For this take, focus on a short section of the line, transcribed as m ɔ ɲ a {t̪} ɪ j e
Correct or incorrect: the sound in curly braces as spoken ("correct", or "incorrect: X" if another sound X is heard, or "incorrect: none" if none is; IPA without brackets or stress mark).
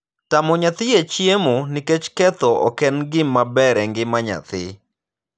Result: correct